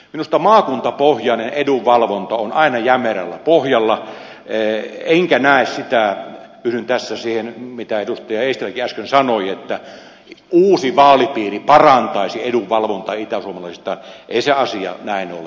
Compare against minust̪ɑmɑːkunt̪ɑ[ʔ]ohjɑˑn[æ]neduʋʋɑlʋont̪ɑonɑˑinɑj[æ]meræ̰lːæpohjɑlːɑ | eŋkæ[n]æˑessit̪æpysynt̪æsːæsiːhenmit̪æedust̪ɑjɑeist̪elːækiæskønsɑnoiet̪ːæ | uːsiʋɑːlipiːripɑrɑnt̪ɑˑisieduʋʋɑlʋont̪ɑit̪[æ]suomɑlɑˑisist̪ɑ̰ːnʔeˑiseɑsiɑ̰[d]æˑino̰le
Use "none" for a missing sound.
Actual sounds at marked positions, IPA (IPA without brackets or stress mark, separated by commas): p, e, æ, n, æ, n